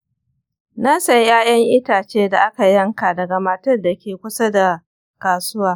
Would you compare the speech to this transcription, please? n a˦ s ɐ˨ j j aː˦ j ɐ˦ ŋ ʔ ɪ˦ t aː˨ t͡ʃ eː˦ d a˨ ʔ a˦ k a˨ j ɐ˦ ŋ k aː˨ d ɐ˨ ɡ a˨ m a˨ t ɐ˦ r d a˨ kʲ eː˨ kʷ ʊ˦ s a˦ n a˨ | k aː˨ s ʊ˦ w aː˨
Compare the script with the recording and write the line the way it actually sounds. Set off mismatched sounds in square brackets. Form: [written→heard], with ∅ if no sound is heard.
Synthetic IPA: n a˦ s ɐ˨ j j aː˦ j ɐ˦ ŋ ʔ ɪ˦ t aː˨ t͡ʃ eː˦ d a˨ ʔ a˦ k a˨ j ɐ˦ ŋ k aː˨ d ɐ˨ ɡ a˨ m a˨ t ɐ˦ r d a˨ kʲ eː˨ kʷ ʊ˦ s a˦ [n→d] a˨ | k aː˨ s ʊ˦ w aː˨

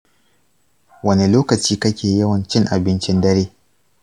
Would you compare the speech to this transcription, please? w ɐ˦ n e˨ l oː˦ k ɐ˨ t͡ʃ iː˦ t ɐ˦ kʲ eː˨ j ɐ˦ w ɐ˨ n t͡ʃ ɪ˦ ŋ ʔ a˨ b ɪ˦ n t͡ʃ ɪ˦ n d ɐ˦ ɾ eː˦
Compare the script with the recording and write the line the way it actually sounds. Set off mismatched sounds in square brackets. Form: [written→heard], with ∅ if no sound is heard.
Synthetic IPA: w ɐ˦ n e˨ l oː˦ k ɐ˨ t͡ʃ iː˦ [t→k] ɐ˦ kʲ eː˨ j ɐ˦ w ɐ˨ n t͡ʃ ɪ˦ ŋ ʔ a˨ b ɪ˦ n t͡ʃ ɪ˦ n d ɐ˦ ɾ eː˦

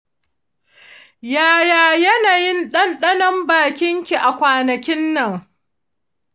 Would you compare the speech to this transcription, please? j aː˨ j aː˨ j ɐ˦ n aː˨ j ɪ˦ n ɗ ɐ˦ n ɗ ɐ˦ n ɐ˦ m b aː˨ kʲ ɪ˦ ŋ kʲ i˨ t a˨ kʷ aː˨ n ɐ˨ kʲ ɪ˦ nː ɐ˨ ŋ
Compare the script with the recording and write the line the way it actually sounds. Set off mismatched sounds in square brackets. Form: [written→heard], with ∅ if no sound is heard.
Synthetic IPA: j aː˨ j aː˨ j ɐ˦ n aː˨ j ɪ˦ n ɗ ɐ˦ n ɗ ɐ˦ n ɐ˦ m b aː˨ kʲ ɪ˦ ŋ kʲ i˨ [t→ʔ] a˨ kʷ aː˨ n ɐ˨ kʲ ɪ˦ nː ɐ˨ ŋ

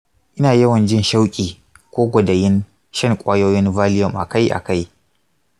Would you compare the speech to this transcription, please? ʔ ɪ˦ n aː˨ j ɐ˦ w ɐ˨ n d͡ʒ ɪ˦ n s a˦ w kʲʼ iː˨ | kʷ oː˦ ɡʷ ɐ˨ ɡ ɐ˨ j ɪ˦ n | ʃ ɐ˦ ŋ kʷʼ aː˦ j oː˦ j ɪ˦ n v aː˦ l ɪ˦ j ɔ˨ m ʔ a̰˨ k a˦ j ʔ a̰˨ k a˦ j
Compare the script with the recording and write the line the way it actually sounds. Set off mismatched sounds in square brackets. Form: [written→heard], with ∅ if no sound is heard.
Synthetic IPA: ʔ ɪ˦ n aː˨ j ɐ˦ w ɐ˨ n d͡ʒ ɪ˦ n [s→ʃ] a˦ w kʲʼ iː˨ | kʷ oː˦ ɡʷ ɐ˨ [ɡ→d] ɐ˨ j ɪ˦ n | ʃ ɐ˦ ŋ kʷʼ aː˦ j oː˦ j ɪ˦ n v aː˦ l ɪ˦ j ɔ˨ m ʔ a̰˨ k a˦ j ʔ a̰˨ k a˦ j

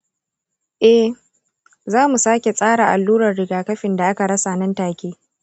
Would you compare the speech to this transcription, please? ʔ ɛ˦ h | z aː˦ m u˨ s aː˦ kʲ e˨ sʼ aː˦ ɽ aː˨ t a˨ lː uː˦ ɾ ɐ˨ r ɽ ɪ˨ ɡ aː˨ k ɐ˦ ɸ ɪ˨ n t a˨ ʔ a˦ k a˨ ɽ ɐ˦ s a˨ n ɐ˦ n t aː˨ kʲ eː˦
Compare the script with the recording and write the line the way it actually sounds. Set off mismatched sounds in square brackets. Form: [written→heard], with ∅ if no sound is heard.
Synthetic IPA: ʔ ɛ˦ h | z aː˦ m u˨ s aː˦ kʲ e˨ sʼ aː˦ ɽ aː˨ [t→ʔ] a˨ lː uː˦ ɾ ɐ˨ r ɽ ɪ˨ ɡ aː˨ k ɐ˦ ɸ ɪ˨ n [t→d] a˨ ʔ a˦ k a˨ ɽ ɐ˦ s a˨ n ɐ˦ n t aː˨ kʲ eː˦

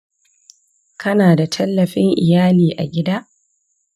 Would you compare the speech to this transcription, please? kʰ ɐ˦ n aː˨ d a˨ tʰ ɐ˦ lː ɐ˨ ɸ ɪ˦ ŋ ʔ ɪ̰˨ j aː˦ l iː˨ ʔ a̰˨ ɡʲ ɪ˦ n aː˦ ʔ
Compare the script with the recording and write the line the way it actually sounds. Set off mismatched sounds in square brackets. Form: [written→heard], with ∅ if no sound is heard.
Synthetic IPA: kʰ ɐ˦ n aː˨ d a˨ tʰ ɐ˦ lː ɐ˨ ɸ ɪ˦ ŋ ʔ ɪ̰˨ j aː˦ l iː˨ ʔ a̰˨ ɡʲ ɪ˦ [n→d] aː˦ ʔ

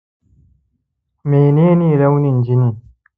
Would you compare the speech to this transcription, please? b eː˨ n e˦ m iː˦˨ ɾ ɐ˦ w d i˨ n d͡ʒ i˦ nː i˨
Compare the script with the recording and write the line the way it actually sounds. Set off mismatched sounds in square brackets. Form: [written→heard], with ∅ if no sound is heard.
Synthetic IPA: [b→m] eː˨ n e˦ [m→n] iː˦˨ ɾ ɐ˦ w [d→n] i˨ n d͡ʒ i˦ [nː→n] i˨

